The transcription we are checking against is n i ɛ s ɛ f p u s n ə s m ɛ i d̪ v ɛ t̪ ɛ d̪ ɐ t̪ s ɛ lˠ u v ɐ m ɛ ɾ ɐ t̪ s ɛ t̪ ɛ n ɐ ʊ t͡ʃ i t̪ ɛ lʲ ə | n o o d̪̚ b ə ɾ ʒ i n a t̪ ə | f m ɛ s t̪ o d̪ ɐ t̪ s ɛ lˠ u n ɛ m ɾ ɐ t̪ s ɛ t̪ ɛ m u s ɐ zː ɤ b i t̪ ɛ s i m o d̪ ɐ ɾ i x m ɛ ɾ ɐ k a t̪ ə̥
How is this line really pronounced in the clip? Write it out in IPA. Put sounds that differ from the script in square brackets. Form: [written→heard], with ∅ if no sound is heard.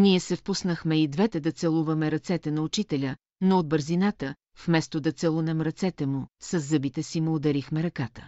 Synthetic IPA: n i ɛ s ɛ f p u s n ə [s→x] m ɛ i d̪ v ɛ t̪ ɛ d̪ ɐ t̪ s ɛ lˠ u v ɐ m ɛ ɾ ɐ t̪ s ɛ t̪ ɛ n ɐ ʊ t͡ʃ i t̪ ɛ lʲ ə | n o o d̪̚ b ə ɾ [ʒ→z] i n a t̪ ə | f m ɛ s t̪ o d̪ ɐ t̪ s ɛ lˠ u n ɛ m ɾ ɐ t̪ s ɛ t̪ ɛ m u s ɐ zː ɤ b i t̪ ɛ s i m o d̪ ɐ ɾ i x m ɛ ɾ ɐ k a t̪ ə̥